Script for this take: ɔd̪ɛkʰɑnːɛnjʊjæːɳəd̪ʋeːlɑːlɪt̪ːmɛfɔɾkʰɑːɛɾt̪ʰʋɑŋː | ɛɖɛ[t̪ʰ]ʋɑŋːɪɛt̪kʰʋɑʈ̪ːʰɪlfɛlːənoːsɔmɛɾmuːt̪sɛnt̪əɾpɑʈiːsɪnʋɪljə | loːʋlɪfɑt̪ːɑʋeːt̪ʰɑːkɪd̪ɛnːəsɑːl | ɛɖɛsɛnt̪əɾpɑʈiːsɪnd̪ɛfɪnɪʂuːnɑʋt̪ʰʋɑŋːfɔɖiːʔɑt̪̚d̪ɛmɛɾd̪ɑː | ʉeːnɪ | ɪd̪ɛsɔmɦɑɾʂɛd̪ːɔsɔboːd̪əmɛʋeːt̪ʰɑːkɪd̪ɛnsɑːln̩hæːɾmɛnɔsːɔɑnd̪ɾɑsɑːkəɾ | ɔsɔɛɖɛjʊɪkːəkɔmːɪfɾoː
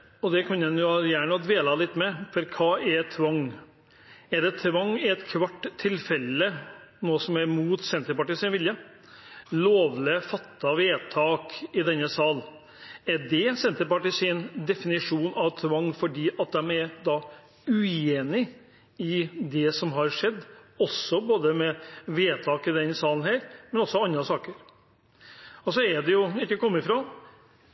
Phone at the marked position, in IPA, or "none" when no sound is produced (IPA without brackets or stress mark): t̪ʰ